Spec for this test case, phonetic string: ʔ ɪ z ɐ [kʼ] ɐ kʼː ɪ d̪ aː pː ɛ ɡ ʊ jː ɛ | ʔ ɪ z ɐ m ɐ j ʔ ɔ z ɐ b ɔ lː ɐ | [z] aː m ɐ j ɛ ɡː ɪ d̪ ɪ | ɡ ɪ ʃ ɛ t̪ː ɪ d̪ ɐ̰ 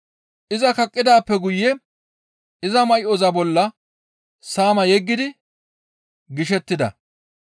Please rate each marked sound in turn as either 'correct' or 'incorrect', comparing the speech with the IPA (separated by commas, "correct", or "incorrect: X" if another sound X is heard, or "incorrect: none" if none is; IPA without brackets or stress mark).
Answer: incorrect: k, incorrect: s